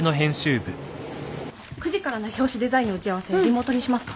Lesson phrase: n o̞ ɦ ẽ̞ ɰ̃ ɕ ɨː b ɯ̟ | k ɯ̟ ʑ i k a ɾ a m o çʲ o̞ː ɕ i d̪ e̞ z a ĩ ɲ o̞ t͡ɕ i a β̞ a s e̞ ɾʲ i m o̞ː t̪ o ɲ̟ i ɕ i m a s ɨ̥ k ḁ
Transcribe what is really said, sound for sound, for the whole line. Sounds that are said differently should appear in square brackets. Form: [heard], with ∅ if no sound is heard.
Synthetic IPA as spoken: n o̞ ɦ ẽ̞ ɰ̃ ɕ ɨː b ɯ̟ | k ɯ̟ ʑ i k a ɾ a [n] o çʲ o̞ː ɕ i d̪ e̞ z a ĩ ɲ o̞ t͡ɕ i a β̞ a s e̞ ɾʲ i m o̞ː t̪ o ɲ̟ i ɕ i m a s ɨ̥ k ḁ

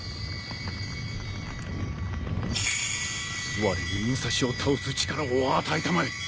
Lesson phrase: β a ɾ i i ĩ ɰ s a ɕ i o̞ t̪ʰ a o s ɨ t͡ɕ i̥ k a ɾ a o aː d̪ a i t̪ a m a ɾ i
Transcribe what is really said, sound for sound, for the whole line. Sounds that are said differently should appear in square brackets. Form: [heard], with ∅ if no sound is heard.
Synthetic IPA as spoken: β a ɾ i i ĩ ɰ s a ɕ i o̞ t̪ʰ a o s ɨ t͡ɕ i̥ k a ɾ a o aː [t̪] a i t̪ a m a ɾ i

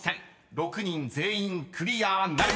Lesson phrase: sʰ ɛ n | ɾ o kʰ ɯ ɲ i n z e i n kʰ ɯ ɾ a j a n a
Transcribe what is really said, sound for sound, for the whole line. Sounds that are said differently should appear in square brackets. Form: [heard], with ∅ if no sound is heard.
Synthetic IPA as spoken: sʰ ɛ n | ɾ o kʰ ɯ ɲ i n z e i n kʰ ɯ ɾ [i] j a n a

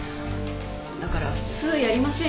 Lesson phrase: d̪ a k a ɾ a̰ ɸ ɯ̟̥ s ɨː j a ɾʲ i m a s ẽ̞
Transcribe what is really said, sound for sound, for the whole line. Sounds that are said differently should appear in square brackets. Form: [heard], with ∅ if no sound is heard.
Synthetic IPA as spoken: d̪ a k a ɾ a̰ ɸ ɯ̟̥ [t͡s] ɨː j a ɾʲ i m a s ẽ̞

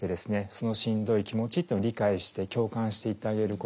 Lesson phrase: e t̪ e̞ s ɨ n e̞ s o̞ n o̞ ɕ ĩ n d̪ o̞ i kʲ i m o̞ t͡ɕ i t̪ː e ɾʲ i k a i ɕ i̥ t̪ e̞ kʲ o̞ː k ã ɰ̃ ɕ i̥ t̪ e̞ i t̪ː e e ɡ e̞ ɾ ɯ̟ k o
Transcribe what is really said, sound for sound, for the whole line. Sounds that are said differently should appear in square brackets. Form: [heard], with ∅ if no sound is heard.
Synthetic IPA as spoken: e [d̪] e̞ s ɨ n e̞ s o̞ n o̞ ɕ ĩ n d̪ o̞ i kʲ i m o̞ t͡ɕ i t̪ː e ɾʲ i k a i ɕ i̥ t̪ e̞ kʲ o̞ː k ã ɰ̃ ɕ i̥ t̪ e̞ i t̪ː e [a] ɡ e̞ ɾ ɯ̟ k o

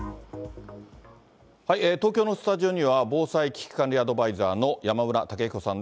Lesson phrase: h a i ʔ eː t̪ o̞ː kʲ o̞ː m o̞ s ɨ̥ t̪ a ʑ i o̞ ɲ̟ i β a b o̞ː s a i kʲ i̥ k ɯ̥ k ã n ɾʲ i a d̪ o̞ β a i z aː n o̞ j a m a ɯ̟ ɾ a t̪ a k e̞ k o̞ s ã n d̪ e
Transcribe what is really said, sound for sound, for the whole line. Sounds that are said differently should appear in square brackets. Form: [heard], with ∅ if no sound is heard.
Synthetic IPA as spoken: h a i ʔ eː t̪ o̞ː kʲ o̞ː [n] o̞ s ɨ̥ t̪ a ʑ i o̞ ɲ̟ i β a b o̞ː s a i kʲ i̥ k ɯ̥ k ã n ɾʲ i a d̪ o̞ [b] a i z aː n o̞ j a m a ɯ̟ ɾ a t̪ a k e̞ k o̞ s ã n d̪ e

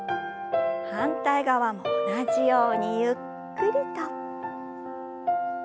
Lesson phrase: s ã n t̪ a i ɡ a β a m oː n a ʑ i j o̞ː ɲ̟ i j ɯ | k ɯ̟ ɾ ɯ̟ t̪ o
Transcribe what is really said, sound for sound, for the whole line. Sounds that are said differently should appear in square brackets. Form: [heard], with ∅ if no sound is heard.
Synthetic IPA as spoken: [h] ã n t̪ a i ɡ a β a m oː n a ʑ i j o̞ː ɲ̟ i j ɯ | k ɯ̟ ɾ ɯ̟ t̪ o

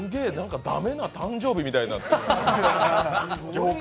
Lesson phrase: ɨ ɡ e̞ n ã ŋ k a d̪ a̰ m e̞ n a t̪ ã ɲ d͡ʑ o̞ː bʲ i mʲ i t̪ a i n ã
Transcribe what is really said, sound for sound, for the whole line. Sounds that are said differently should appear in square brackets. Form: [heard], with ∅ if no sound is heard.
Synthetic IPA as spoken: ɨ ɡ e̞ n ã ŋ k a d̪ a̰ m e̞ n a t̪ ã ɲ d͡ʑ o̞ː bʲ i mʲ i t̪ a i n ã

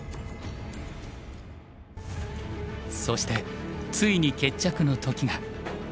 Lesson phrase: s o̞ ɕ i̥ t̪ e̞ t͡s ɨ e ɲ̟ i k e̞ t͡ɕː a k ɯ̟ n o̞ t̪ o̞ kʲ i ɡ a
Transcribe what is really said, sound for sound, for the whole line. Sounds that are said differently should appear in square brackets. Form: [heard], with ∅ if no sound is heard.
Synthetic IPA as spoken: s o̞ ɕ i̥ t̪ e̞ t͡s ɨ [i] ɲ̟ i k e̞ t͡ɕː a k ɯ̟ n o̞ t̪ o̞ kʲ i ɡ a

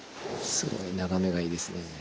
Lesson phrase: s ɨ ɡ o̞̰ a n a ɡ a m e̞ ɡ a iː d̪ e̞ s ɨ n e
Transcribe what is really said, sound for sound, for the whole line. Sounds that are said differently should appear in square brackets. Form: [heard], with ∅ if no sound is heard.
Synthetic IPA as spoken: s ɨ ɡ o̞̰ [i] n a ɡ a m e̞ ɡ a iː d̪ e̞ s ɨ n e

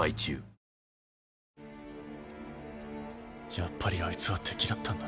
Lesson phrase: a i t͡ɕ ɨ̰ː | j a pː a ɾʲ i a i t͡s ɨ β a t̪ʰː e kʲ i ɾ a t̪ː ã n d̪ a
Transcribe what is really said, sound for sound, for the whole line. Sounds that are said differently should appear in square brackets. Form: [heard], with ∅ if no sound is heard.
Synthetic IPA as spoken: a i t͡ɕ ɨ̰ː | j a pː a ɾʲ i a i t͡s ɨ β a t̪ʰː e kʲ i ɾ a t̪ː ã n d̪ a

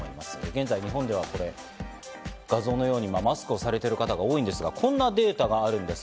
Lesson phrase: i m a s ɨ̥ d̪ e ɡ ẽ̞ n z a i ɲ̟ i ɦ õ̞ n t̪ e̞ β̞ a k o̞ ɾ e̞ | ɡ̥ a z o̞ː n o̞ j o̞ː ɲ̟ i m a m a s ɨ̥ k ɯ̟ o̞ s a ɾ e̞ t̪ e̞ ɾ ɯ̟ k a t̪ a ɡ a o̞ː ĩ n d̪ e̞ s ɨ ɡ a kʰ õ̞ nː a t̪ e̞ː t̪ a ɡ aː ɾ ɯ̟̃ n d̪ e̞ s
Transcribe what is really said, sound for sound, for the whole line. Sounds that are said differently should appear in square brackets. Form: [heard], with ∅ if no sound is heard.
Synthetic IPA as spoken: i m a s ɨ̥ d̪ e ɡ ẽ̞ n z a i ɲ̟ i ɦ õ̞ n [d̪] e̞ β̞ a k o̞ ɾ e̞ | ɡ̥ a z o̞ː n o̞ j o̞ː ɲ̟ i m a m a s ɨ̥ k ɯ̟ o̞ s a ɾ e̞ t̪ e̞ ɾ ɯ̟ k a t̪ a ɡ a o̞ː ĩ n d̪ e̞ s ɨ ɡ a kʰ õ̞ nː a [d̪] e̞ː t̪ a ɡ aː ɾ ɯ̟̃ n d̪ e̞ s

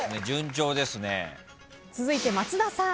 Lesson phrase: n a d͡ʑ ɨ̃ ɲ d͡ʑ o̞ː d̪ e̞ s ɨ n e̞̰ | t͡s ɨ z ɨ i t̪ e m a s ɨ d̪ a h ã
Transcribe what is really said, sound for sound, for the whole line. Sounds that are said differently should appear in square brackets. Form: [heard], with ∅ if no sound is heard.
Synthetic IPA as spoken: n [e] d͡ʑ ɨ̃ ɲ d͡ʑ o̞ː d̪ e̞ s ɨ n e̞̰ | t͡s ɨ z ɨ i t̪ e m a [t͡s] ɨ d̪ a [s] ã

